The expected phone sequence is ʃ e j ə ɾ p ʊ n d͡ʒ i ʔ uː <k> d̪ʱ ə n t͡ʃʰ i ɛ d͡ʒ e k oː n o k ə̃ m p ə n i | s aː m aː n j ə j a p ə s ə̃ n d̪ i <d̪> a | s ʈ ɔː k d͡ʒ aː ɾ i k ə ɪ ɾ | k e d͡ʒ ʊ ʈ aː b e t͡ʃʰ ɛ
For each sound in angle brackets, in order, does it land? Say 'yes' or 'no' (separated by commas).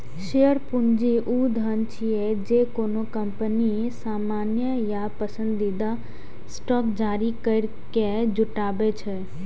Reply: no, yes